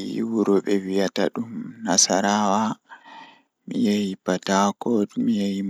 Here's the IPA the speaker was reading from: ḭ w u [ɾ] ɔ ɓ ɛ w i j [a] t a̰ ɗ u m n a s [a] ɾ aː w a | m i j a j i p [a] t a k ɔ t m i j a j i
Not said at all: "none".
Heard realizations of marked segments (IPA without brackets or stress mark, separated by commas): ɾ, a, a, a